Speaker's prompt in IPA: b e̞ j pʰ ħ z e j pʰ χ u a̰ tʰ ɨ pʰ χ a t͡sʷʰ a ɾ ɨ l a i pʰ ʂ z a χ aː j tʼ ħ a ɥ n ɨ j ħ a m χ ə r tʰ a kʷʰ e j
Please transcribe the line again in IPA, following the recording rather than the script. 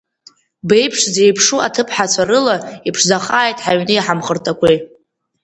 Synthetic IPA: b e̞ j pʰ ʂ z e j pʰ ʂ u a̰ tʰ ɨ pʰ ħ a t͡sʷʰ a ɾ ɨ l a i pʰ ʂ z a χ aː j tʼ ħ a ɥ n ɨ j ħ a m χ ə r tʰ a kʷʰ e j